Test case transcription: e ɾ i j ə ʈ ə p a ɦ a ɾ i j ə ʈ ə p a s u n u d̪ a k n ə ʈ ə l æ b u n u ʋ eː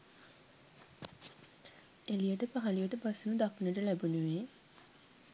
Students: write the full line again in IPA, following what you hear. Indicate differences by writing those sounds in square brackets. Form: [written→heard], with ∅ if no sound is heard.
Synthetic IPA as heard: e [ɾ→l] i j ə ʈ ə p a ɦ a [ɾ→l] i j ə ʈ ə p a s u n u d̪ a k n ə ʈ ə l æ b u n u ʋ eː